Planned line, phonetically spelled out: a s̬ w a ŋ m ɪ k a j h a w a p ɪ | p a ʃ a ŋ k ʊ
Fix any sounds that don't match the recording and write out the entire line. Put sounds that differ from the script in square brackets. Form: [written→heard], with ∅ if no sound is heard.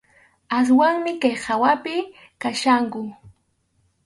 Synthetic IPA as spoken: a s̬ w a ŋ m ɪ k a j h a w a p ɪ | [p→k] a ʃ a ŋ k ʊ